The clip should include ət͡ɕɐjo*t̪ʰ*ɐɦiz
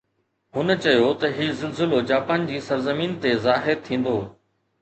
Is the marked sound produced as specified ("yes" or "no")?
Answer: no